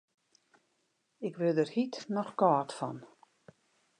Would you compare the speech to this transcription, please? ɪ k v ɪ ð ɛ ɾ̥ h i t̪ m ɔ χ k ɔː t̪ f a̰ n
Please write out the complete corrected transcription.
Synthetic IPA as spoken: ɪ k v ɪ ð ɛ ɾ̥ h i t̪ n ɔ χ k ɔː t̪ f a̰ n